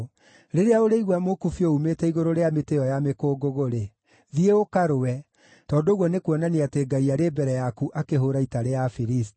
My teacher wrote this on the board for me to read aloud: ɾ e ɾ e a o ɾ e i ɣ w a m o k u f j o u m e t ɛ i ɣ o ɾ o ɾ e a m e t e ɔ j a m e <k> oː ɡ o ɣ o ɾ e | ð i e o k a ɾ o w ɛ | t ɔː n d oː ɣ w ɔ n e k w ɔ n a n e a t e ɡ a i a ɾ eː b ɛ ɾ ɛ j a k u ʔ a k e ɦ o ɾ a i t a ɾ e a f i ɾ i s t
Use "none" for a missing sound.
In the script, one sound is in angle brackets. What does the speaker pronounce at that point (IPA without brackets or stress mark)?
k